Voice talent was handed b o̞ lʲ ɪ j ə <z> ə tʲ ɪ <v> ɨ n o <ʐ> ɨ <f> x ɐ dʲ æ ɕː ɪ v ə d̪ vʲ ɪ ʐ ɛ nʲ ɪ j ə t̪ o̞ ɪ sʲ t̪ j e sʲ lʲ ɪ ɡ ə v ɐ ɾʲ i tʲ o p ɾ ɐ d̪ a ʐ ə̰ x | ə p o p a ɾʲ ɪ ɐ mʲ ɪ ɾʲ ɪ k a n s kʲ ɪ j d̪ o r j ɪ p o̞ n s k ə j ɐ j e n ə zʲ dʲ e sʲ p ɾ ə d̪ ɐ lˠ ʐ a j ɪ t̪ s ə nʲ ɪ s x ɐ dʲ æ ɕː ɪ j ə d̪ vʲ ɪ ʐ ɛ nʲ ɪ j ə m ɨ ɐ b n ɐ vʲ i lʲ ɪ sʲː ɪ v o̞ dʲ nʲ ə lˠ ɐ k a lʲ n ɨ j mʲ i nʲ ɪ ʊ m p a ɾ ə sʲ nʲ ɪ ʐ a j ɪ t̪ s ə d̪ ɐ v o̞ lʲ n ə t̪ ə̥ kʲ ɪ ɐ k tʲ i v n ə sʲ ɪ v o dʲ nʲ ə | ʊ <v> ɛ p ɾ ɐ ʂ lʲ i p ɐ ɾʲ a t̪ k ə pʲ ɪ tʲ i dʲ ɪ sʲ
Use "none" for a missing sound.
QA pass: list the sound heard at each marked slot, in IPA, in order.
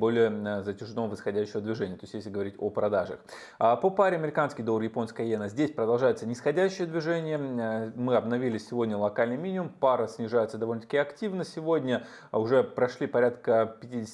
z, ʐ, v, s, ʐ

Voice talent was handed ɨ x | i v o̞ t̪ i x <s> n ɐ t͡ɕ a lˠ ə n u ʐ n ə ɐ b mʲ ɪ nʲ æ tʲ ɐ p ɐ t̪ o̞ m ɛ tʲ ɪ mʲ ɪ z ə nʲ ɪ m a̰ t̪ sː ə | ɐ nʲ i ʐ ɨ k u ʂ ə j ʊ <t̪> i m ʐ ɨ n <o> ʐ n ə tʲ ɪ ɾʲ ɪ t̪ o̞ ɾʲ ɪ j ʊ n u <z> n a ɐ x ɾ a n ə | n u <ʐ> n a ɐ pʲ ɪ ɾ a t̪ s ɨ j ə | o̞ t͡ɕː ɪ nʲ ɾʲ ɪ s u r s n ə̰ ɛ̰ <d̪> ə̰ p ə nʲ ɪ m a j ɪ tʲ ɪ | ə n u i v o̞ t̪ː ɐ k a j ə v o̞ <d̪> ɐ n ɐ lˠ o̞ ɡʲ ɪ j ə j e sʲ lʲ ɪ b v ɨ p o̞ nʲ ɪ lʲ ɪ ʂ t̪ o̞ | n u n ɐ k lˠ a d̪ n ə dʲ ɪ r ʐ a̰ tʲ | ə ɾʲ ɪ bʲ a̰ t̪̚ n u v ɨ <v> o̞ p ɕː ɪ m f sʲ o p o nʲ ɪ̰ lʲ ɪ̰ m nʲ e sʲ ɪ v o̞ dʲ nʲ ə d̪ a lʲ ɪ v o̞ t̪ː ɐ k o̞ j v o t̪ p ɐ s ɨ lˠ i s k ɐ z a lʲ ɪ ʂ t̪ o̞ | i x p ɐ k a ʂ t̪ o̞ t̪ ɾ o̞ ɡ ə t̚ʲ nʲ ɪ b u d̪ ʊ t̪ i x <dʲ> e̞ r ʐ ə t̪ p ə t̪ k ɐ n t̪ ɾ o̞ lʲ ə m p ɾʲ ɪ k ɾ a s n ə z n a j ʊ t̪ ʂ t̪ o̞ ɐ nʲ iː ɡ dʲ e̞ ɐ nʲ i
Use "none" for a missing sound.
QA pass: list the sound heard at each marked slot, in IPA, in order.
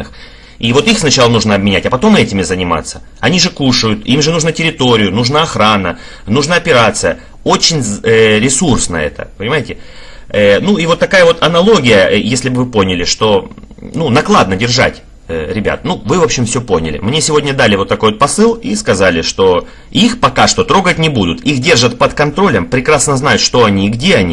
s, t̪, u, ʐ, ʐ, t̪, t̪, v, dʲ

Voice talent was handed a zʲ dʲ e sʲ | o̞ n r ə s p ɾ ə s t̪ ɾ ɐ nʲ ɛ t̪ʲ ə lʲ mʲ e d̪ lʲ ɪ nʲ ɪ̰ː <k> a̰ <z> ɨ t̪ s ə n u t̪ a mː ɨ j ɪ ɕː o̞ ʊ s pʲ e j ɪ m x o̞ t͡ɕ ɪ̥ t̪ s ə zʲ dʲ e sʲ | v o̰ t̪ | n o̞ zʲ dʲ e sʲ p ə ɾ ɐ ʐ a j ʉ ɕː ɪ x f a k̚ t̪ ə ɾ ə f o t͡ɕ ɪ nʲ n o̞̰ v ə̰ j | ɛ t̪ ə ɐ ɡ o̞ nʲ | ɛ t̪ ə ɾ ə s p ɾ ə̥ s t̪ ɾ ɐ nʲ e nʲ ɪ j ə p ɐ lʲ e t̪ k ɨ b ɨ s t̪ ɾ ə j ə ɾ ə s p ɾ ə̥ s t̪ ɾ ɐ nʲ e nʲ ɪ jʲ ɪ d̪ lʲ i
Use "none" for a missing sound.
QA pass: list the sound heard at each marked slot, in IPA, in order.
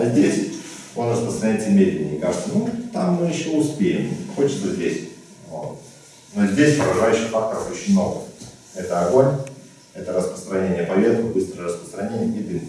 k, ʐ

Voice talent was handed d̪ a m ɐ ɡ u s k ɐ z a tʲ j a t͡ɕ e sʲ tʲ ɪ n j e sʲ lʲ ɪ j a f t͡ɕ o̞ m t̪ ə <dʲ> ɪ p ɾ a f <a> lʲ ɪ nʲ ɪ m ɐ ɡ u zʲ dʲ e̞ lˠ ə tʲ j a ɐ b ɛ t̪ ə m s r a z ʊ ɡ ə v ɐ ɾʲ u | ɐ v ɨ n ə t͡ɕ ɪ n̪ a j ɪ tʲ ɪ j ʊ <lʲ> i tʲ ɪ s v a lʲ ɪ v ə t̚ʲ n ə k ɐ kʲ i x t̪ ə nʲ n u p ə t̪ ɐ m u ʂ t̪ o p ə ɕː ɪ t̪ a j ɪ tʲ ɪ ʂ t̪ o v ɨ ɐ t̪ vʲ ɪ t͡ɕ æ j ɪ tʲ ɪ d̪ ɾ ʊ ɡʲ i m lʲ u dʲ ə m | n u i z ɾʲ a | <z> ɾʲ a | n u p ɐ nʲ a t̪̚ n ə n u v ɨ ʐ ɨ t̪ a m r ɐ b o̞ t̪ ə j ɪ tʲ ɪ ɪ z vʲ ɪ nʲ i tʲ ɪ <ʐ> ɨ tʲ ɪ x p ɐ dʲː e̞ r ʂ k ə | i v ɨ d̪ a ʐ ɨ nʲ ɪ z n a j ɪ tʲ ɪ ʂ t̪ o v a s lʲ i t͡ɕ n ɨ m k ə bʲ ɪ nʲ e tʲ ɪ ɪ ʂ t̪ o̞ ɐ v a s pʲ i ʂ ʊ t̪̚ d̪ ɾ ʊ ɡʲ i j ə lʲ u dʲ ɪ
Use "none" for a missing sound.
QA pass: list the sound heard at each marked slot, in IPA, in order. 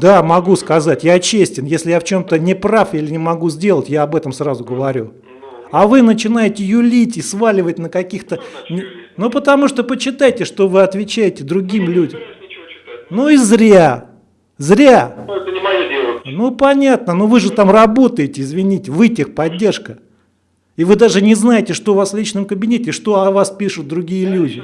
nʲ, i, lʲ, z, v

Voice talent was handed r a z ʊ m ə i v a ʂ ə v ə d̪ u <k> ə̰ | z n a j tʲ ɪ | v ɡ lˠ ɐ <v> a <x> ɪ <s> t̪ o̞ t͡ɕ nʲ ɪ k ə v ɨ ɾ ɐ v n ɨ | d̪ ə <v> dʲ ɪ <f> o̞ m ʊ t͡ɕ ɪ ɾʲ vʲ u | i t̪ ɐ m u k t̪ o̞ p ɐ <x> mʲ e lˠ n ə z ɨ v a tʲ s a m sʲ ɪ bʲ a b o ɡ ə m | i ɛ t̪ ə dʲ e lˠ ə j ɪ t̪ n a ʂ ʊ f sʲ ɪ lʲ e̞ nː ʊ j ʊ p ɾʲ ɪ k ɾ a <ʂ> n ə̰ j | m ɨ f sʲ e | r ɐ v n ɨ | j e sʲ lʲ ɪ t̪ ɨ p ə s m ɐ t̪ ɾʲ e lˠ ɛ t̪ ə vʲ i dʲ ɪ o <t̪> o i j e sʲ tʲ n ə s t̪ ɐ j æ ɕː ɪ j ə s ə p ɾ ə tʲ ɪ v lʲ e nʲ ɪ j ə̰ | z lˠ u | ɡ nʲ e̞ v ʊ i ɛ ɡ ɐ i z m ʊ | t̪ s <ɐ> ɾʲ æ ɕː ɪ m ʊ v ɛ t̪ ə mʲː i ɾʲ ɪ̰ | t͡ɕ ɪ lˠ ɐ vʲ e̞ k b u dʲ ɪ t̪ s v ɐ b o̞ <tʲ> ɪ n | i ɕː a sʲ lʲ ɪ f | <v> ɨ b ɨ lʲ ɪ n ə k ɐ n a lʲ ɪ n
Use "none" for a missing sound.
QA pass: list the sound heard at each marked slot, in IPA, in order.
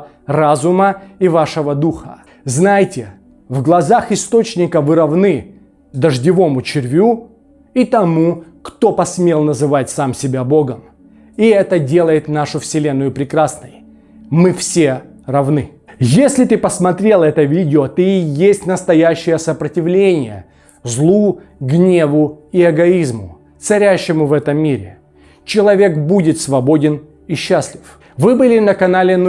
x, z, x, s, ʐ, v, s, s, t̪, ɐ, dʲ, v

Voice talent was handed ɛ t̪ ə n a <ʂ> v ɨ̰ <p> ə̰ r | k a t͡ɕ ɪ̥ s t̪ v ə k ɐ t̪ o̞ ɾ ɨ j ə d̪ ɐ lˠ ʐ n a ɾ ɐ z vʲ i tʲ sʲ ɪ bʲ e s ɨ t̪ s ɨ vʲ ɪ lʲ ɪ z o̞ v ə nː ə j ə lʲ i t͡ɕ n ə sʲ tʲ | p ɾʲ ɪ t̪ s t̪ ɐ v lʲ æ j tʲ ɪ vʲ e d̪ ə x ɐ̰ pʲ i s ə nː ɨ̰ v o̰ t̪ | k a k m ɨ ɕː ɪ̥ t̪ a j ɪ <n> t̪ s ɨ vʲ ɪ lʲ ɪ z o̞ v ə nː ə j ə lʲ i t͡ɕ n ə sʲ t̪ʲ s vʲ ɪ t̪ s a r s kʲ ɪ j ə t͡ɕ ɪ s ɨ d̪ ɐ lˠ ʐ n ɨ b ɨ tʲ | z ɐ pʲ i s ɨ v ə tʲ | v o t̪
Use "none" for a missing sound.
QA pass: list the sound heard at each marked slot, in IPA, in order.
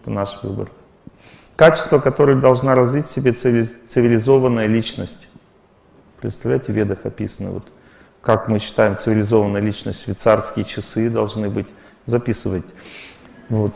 ʂ, b, m

